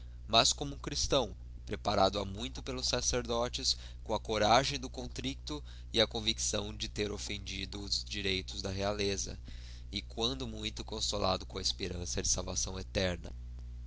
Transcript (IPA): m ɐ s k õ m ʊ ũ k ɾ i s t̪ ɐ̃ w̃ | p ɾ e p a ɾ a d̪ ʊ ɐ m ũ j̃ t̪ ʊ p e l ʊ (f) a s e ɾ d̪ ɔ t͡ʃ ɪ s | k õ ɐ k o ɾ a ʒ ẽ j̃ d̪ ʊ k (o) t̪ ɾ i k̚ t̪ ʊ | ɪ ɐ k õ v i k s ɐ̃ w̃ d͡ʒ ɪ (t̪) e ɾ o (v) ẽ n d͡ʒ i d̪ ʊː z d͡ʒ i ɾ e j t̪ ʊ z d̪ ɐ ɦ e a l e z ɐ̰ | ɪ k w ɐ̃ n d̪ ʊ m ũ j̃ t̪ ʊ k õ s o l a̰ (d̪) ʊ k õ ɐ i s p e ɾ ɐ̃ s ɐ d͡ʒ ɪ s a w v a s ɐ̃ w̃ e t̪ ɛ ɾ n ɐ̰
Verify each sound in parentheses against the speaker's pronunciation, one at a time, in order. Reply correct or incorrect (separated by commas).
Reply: incorrect, incorrect, correct, incorrect, correct